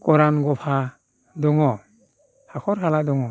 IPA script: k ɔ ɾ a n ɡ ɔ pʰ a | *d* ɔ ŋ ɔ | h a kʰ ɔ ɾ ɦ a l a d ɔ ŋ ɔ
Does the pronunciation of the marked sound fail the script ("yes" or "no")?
no